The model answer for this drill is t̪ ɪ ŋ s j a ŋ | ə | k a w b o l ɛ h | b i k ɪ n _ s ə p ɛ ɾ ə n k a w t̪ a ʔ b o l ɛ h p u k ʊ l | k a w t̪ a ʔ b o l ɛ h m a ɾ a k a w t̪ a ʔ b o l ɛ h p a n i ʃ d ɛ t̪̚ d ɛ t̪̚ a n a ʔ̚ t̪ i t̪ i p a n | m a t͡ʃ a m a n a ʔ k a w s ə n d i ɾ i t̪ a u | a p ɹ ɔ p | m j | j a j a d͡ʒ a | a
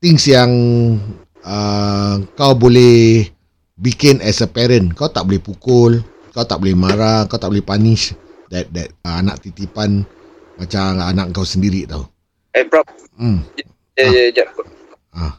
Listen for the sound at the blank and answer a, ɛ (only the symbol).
ɛ